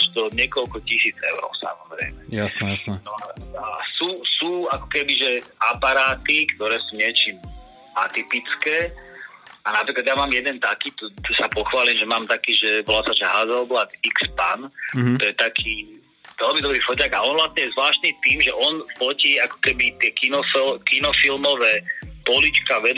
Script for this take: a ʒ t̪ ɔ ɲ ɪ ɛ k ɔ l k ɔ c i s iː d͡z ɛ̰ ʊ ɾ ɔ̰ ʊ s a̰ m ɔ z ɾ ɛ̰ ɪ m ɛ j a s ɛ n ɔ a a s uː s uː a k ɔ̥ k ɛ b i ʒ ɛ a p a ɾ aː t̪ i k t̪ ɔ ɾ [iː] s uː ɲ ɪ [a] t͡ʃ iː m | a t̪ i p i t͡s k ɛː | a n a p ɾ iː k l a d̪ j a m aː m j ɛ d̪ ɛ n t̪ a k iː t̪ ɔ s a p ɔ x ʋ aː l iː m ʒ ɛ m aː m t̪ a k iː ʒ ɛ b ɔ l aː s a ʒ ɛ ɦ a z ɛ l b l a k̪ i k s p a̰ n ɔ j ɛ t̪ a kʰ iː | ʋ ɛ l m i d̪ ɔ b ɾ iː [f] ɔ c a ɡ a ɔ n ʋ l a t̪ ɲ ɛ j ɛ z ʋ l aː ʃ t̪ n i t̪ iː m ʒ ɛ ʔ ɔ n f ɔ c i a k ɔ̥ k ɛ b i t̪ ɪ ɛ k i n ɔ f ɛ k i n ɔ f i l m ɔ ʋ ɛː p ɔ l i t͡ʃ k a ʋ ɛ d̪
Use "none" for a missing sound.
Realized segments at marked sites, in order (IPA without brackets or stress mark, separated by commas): ɛː, ɛ, f